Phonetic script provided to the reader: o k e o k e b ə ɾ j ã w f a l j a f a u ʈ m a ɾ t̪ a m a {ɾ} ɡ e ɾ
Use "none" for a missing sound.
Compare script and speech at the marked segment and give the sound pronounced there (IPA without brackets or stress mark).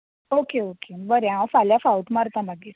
none